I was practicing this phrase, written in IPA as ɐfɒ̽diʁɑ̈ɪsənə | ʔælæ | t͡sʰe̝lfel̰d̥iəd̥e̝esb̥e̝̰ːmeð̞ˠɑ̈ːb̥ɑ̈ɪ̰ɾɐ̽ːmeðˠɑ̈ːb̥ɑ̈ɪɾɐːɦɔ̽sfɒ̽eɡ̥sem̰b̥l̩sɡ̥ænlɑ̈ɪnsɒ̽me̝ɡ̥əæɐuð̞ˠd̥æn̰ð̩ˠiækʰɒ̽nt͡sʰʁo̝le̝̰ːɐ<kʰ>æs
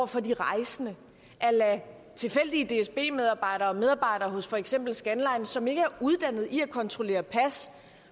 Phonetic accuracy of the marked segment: incorrect: pʰ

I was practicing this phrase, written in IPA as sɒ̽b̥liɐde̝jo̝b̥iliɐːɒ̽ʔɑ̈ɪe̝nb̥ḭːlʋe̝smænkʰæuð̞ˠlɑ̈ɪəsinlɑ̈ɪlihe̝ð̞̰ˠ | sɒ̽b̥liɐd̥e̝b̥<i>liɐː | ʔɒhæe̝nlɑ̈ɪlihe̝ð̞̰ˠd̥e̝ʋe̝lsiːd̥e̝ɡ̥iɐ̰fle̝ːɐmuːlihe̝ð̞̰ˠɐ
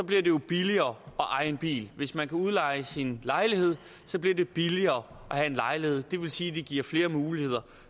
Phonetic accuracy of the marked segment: correct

